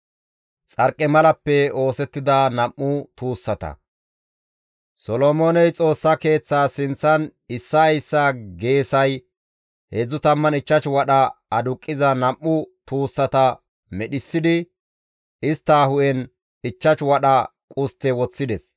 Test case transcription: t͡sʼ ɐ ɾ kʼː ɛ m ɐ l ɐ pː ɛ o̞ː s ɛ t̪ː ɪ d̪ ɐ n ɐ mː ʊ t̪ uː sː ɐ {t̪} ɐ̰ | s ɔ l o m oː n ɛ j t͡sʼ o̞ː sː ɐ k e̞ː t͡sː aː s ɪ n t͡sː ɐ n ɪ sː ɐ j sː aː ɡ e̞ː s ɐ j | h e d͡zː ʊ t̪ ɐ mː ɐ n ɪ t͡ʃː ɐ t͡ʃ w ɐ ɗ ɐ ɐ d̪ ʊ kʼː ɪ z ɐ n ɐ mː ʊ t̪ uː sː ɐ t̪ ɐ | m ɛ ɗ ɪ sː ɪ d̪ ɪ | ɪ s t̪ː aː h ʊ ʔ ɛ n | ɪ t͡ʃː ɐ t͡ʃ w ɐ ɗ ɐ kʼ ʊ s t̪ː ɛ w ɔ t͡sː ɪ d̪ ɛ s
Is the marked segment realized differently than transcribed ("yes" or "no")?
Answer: no